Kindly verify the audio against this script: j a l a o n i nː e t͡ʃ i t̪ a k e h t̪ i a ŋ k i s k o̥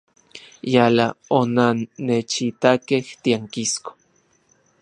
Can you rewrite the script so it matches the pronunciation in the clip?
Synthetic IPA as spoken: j a l a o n a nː e t͡ʃ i t̪ a k e h t̪ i a ŋ k i s k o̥